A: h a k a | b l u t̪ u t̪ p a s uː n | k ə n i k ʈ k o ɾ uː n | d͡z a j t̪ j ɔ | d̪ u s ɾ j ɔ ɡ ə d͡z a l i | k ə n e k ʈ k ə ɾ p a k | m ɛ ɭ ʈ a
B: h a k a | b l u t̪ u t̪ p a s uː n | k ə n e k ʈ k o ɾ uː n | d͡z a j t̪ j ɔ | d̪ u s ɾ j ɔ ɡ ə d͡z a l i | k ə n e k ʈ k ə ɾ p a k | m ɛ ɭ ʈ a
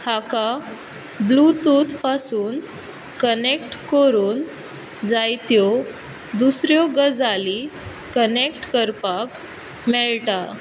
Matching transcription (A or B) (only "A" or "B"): B